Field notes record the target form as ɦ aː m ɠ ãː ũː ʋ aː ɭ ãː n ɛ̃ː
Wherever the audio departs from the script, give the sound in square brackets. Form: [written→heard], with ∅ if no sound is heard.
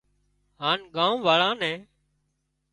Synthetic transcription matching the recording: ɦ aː [m→n] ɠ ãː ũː ʋ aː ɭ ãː n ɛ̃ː

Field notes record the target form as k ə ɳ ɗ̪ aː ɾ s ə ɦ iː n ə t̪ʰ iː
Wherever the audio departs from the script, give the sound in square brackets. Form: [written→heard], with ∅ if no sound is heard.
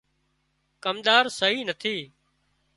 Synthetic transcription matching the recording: k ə [ɳ→m] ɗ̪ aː ɾ s ə ɦ iː n ə t̪ʰ iː

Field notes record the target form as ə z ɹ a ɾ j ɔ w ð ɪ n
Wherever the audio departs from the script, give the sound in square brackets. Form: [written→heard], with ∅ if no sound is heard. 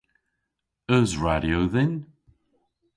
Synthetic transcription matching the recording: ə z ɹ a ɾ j [ɔ→o] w ð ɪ n

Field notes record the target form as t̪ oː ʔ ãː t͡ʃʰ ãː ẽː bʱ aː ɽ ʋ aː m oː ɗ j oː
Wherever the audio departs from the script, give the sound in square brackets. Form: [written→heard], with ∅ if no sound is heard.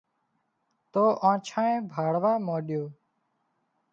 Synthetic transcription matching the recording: t̪ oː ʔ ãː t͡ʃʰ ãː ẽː bʱ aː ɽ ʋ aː m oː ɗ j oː

